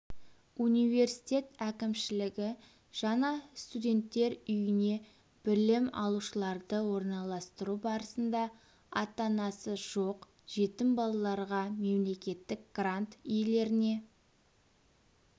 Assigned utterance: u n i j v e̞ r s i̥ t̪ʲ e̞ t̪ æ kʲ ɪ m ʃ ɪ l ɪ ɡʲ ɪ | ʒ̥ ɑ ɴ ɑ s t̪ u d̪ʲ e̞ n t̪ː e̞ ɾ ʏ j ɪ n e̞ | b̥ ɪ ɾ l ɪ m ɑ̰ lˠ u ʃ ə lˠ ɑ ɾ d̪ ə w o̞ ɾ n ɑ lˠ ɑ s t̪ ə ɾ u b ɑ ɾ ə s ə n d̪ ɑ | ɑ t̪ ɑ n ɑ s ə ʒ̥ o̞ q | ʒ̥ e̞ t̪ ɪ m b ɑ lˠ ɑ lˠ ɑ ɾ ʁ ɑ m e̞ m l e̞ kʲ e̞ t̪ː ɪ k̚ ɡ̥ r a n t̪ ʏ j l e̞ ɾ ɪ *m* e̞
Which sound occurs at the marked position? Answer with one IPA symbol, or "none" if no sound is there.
n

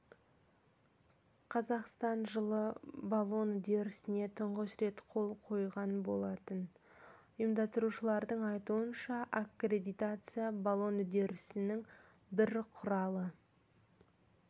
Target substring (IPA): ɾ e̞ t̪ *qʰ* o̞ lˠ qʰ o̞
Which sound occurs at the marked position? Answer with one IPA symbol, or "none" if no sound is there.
qʰ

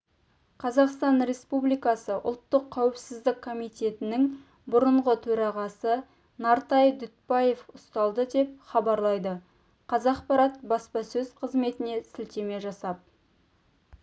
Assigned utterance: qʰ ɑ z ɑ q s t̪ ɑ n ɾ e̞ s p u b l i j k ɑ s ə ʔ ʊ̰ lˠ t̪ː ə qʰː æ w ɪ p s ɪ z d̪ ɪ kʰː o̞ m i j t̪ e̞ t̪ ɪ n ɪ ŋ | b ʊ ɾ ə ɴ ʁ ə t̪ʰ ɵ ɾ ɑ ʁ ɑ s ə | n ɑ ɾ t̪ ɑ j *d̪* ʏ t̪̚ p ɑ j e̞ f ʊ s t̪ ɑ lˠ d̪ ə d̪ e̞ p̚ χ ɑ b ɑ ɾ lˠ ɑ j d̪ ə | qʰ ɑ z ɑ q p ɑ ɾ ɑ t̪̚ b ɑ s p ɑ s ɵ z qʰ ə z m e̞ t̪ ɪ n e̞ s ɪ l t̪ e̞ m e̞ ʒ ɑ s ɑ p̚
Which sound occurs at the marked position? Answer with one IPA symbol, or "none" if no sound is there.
d̪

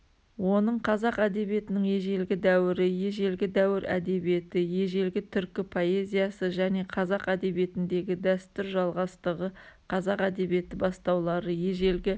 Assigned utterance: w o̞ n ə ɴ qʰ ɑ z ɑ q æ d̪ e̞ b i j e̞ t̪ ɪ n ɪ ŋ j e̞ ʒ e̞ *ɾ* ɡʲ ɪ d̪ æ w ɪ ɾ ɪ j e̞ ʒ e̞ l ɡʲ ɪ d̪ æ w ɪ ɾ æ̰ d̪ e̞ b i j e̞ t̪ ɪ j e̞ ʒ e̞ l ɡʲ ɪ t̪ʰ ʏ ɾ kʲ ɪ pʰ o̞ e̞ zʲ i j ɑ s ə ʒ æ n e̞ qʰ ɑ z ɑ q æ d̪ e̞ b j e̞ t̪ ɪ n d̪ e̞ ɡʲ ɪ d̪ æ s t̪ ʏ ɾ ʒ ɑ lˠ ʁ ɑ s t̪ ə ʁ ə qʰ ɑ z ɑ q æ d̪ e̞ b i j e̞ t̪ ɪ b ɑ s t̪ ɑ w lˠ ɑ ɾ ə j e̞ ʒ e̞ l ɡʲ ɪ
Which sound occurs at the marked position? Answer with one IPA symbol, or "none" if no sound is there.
l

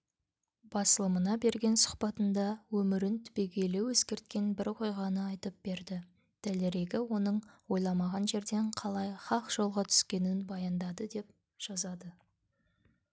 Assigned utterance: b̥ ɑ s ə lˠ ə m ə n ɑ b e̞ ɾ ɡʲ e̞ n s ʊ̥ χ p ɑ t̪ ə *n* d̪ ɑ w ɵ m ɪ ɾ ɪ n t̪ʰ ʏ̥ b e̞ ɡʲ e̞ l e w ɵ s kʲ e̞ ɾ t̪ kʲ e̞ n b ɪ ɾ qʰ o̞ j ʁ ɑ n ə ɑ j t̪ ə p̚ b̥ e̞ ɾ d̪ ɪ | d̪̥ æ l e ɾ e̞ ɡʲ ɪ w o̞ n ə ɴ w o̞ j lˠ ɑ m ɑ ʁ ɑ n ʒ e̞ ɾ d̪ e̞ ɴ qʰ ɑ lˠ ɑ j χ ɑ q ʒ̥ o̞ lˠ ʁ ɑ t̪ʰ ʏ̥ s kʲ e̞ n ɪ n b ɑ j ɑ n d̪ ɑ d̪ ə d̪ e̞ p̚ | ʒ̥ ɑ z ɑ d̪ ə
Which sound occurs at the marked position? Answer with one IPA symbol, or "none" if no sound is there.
n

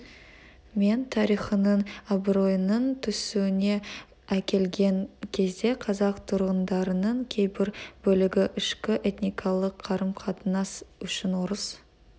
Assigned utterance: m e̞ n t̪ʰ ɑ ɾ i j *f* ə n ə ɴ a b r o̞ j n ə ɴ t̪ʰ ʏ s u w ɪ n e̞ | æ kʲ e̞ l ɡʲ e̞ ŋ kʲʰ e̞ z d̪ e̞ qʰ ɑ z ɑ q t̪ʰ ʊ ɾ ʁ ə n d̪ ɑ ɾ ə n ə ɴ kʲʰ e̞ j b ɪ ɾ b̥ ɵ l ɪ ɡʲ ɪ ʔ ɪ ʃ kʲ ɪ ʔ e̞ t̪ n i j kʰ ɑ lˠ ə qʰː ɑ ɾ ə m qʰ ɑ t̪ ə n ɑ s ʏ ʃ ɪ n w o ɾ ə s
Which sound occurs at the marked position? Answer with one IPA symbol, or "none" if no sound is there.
χ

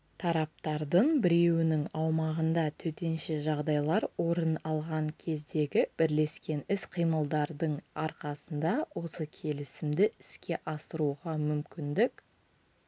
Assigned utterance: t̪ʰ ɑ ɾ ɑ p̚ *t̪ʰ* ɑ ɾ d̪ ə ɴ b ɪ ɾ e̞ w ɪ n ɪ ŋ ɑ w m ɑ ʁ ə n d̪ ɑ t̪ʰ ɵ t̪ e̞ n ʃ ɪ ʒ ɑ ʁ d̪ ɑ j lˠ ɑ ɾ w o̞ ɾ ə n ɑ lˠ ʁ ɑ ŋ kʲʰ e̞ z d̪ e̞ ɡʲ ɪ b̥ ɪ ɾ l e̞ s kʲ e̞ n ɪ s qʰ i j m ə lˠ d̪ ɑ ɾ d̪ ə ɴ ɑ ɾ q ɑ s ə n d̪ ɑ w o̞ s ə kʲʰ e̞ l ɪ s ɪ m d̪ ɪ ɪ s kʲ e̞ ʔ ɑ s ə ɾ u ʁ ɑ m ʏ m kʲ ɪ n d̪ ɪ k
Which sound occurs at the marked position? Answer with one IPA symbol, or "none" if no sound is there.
t̪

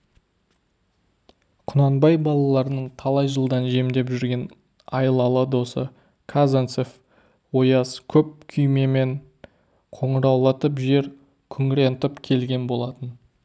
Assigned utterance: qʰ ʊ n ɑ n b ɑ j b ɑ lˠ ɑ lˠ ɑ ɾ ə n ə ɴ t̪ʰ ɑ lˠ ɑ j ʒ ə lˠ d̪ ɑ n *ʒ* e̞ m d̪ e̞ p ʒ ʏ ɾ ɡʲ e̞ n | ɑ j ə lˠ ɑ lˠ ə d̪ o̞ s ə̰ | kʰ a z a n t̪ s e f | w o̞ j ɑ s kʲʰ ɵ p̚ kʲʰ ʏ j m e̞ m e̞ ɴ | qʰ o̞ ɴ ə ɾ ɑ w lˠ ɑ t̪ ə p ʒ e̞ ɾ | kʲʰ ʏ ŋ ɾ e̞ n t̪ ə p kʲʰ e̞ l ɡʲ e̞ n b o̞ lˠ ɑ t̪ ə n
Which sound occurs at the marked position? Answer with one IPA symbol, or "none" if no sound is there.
ʒ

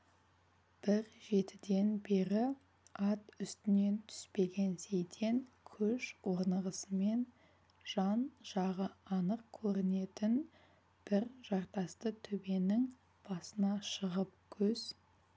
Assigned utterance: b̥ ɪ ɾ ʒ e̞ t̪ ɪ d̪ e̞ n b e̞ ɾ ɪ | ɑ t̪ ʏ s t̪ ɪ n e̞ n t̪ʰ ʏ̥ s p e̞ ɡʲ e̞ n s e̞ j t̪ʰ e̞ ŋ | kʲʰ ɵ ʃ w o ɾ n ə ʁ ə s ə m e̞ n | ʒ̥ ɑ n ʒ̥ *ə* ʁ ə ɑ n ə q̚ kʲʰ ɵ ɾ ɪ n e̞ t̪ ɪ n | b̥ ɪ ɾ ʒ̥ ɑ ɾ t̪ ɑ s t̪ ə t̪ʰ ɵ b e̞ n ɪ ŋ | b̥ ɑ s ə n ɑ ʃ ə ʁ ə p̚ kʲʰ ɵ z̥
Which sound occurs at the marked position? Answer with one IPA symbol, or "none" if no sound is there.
ɑ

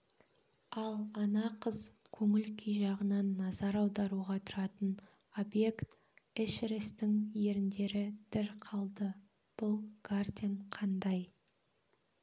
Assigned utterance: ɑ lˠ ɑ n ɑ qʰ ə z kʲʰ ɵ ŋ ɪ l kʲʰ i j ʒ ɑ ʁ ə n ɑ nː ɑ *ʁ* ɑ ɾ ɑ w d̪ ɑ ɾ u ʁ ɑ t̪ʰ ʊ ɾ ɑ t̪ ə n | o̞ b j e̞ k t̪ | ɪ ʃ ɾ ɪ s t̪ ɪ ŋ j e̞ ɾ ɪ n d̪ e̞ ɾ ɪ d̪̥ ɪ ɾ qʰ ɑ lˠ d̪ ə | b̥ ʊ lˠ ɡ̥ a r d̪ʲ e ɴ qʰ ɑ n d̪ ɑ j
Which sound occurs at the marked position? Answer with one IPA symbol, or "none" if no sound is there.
z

